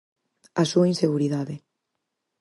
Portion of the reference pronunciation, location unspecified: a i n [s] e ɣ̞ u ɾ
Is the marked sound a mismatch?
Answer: no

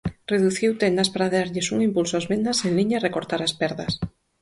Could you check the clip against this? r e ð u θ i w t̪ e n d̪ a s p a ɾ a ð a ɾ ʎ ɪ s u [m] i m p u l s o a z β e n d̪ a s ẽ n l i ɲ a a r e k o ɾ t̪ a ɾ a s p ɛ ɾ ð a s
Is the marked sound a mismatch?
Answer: yes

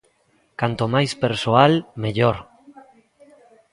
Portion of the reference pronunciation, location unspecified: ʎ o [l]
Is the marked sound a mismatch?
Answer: yes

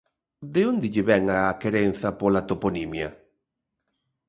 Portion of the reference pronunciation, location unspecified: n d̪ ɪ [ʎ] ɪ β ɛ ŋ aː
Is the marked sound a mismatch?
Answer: no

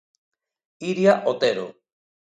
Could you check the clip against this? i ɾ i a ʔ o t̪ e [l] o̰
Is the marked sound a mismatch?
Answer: yes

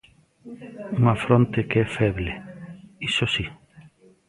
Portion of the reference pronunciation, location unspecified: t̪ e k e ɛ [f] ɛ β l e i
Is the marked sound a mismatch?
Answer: no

